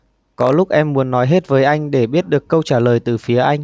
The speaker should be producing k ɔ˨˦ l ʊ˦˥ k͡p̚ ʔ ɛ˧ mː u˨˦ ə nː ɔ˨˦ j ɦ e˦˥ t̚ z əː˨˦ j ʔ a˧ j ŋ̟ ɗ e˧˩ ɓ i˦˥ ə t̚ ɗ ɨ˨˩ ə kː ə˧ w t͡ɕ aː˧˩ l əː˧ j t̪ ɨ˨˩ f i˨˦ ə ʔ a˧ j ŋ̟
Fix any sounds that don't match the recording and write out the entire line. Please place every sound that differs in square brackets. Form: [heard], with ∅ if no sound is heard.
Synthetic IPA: k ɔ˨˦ l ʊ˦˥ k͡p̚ ʔ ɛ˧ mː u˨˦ ə nː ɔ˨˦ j ɦ e˦˥ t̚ [v] əː˨˦ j ʔ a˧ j ŋ̟ ɗ e˧˩ ɓ i˦˥ ə t̚ ɗ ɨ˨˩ ə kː ə˧ w t͡ɕ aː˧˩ l [əː˨˩] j t̪ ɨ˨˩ f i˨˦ ə ʔ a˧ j ŋ̟